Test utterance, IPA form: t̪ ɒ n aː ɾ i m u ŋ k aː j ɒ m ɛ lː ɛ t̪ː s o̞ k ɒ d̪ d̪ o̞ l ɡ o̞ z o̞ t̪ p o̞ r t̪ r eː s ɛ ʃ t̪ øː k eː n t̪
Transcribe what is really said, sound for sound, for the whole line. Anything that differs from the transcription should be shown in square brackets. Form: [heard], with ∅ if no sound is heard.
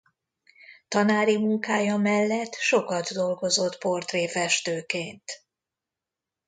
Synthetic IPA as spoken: t̪ ɒ n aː ɾ i m u ŋ k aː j ɒ m ɛ lː ɛ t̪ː [ʃ] o̞ k ɒ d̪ d̪ o̞ l ɡ o̞ z o̞ t̪ p o̞ r t̪ r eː [f] ɛ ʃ t̪ øː k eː n t̪